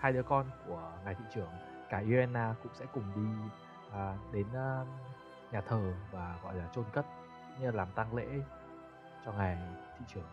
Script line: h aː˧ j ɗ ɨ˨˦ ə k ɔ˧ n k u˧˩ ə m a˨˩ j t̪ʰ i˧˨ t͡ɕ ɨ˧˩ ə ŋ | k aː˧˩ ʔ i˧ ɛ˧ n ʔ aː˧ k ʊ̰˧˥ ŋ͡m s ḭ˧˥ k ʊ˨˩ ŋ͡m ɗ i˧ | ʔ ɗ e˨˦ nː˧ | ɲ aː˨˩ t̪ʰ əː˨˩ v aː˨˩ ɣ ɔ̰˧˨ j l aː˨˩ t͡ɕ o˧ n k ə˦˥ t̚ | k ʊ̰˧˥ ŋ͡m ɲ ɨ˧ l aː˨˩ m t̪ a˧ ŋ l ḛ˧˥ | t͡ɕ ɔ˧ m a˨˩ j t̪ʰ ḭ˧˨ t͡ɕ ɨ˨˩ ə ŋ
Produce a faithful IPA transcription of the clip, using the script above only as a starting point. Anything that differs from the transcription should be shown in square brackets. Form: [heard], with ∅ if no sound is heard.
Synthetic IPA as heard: h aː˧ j ɗ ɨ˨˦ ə k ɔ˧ n k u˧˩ ə [ŋ] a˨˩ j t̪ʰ i˧˨ t͡ɕ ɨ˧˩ ə ŋ | k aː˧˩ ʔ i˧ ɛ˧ n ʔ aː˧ k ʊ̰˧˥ ŋ͡m s [ɛ̰˧˥] k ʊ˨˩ ŋ͡m ɗ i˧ | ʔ ɗ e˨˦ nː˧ | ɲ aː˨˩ t̪ʰ əː˨˩ v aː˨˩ ɣ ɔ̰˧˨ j l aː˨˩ t͡ɕ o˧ n k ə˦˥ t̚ | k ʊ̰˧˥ ŋ͡m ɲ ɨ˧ l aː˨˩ m t̪ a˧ ŋ l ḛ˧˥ | t͡ɕ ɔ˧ [ŋ] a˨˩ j t̪ʰ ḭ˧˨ t͡ɕ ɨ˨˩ ə ŋ